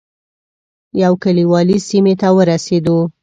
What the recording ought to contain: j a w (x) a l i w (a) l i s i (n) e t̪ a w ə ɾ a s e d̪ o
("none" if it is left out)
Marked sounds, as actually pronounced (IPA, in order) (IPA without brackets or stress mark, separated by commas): k, ɑ, m